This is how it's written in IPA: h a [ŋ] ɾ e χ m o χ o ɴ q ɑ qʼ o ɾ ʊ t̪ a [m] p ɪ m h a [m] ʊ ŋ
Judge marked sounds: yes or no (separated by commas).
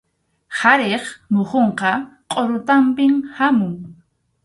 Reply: no, yes, yes